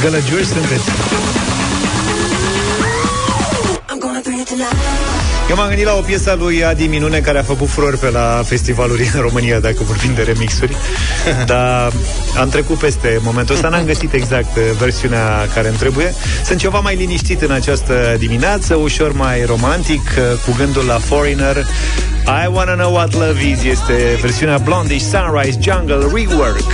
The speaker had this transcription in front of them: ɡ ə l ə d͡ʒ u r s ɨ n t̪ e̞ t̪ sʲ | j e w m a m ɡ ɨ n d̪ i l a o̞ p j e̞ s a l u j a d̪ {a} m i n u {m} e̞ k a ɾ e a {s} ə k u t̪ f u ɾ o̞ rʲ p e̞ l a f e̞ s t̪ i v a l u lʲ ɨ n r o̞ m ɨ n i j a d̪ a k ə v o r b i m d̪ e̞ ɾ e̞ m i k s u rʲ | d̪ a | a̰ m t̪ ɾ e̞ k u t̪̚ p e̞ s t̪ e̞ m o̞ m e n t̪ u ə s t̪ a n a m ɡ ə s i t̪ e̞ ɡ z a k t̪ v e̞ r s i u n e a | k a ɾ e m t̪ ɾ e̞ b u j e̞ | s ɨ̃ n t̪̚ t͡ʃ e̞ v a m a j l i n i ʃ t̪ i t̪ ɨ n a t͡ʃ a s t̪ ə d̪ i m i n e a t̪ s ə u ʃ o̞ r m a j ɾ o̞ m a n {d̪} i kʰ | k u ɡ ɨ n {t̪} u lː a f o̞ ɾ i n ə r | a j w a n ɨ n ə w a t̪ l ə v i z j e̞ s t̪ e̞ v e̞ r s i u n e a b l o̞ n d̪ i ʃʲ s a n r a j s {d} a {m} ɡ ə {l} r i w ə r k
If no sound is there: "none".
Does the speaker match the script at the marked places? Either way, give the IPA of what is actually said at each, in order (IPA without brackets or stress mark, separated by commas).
i, n, f, t̪, d̪, d͡ʒ, ŋ, l